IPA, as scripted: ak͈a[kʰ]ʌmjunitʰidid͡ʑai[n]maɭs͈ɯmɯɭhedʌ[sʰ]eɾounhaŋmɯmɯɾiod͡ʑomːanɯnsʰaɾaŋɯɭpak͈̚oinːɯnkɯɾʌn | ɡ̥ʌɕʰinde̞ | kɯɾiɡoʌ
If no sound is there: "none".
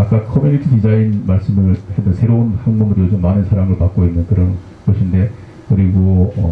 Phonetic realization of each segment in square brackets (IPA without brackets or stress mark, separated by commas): kʰ, n, sʰ